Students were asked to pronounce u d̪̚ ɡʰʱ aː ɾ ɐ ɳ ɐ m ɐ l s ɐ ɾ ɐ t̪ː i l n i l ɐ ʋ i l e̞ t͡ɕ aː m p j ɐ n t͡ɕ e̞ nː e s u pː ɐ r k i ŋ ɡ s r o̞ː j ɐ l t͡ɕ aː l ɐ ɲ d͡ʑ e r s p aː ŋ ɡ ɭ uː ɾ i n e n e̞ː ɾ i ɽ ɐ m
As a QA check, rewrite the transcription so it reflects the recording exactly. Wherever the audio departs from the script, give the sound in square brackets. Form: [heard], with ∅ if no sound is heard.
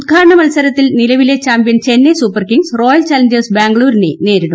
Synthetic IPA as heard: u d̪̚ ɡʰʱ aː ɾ ɐ ɳ ɐ m ɐ l s ɐ ɾ ɐ t̪ː i l n i l ɐ ʋ i l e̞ t͡ɕ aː m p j ɐ n t͡ɕ e̞ nː e s u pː ɐ r k i ŋ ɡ s r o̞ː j ɐ l t͡ɕ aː l ɐ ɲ d͡ʑ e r s [b] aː ŋ ɡ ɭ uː ɾ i n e n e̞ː ɾ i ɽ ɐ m